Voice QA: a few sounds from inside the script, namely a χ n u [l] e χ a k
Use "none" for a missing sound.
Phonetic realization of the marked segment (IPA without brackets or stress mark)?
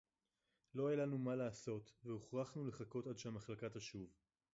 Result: l